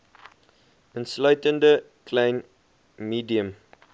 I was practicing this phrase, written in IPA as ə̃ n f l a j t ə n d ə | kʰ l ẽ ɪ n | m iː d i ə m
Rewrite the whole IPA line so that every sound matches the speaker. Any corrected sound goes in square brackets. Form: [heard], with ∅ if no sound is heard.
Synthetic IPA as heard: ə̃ n [s] l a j t ə n d ə | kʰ l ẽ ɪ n | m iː d i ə m